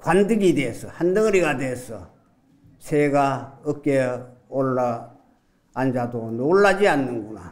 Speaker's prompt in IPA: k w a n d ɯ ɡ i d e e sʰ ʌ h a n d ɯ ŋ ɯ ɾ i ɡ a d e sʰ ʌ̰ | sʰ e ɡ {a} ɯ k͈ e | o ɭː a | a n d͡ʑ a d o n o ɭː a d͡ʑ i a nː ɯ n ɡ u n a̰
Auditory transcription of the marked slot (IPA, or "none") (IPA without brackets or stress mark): a